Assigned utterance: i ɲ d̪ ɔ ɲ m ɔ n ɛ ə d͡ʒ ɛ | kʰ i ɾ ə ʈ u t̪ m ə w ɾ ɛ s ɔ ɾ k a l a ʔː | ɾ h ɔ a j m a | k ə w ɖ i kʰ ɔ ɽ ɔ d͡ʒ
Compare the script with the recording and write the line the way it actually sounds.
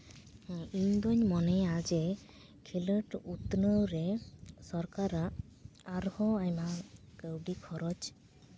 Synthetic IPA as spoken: i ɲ d̪ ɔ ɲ m ɔ n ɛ a d͡ʒ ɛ | kʰ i l ə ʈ u t̪ n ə w ɾ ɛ s ɔ ɾ k a ɾ a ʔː | ɾ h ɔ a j m a | k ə w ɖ i kʰ ɔ ɾ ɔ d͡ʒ